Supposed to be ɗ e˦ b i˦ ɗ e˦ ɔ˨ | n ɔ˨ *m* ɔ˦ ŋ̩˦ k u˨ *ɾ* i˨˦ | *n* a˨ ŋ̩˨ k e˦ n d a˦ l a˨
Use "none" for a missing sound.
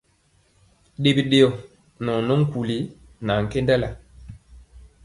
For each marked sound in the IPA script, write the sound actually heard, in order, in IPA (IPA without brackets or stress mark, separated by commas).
n, l, n